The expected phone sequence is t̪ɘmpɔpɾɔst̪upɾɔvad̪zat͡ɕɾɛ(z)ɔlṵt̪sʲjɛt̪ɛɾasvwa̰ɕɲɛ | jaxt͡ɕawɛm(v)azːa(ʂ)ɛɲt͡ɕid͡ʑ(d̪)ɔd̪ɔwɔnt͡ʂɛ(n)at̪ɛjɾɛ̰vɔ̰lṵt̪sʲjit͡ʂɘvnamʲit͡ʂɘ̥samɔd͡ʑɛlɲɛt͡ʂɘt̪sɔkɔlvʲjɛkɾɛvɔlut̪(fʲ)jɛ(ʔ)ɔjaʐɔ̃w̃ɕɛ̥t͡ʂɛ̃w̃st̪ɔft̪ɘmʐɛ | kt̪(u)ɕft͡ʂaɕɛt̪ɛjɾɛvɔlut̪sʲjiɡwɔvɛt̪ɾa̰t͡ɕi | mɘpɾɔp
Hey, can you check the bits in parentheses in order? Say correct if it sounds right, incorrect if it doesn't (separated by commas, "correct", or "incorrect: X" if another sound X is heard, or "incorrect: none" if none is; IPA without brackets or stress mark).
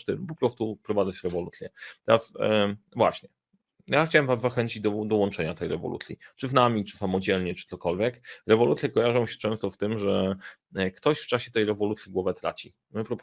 incorrect: v, correct, incorrect: x, correct, incorrect: ɲ, incorrect: sʲ, incorrect: k, incorrect: ɔ